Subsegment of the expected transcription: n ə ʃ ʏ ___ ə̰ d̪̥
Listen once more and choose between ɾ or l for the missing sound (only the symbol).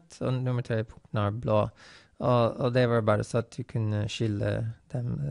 l